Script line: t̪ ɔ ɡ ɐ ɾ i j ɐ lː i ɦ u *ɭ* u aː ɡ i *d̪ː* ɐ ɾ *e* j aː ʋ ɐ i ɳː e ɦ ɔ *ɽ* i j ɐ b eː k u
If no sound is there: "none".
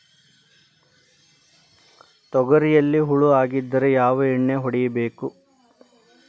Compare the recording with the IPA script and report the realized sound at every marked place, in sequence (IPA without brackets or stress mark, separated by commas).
ɭ, d̪ː, e, ɽ